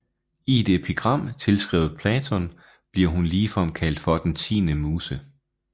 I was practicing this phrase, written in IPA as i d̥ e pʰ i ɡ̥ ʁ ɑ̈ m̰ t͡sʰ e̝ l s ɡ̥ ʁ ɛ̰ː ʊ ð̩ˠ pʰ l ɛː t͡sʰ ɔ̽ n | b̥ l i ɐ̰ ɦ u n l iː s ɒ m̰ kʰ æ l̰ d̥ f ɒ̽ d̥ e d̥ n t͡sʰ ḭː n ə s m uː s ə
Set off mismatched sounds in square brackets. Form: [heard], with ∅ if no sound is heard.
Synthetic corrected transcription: i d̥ e pʰ i ɡ̥ ʁ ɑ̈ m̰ t͡sʰ e̝ l s ɡ̥ ʁ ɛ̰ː ʊ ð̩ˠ pʰ l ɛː t͡sʰ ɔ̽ n | b̥ l i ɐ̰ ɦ u n l iː [f] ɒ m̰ kʰ æ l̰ d̥ f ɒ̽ d̥ e [∅] n t͡sʰ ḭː n ə [∅] m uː s ə